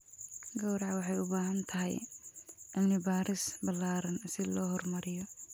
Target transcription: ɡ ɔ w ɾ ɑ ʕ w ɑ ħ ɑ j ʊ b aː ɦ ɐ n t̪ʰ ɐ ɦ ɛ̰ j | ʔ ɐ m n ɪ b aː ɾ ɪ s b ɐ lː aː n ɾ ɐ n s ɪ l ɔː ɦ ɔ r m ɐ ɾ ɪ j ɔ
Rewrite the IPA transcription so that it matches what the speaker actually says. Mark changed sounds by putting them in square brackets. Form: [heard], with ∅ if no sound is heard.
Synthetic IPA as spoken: ɡ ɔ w ɾ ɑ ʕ w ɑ ħ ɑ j ʊ b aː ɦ ɐ n t̪ʰ ɐ ɦ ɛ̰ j | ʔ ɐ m n ɪ b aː ɾ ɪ s b ɐ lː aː [∅] ɾ ɐ n s ɪ l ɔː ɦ ɔ r m ɐ ɾ ɪ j ɔ